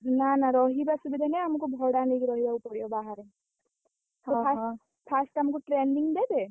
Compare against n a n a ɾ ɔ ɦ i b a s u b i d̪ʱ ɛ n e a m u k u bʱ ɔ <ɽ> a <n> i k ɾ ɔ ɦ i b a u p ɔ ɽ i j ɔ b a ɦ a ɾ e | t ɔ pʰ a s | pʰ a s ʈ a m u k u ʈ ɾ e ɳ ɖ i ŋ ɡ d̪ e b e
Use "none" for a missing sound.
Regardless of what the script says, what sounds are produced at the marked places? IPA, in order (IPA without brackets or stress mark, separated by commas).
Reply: ɽ, n